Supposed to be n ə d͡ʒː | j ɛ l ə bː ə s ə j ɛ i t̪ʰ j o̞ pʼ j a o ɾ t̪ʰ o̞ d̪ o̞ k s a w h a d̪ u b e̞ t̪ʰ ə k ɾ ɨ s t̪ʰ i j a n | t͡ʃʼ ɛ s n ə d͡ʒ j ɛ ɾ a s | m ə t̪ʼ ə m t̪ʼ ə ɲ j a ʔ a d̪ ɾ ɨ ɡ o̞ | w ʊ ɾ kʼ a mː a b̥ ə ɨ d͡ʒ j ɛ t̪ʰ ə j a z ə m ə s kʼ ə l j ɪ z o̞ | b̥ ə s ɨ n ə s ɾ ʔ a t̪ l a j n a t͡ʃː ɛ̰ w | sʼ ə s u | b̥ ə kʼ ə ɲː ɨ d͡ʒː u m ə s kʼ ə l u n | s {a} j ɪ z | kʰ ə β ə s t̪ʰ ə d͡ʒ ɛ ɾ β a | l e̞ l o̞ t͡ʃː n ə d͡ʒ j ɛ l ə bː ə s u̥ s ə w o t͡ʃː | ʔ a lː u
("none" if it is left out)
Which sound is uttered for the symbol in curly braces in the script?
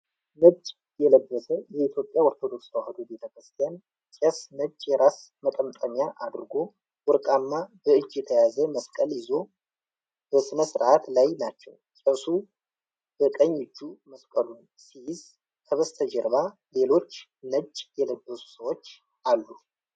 i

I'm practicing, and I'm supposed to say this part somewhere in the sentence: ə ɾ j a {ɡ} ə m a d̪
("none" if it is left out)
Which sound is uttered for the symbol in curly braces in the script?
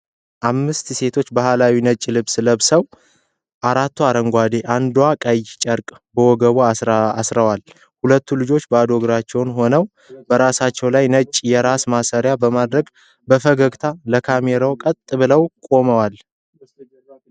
b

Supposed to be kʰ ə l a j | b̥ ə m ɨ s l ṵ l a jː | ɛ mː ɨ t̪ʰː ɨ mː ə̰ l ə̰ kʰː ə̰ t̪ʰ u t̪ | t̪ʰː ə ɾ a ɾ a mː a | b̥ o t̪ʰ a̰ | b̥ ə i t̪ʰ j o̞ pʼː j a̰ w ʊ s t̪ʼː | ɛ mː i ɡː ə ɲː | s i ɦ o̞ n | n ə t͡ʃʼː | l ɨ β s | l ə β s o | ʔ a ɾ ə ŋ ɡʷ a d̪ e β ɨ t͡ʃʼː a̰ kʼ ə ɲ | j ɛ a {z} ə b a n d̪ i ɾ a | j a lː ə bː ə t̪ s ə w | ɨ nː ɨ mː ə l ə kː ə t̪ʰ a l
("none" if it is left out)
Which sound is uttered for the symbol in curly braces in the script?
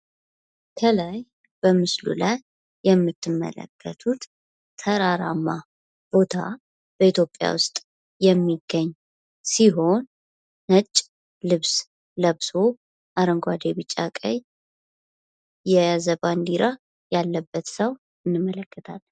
z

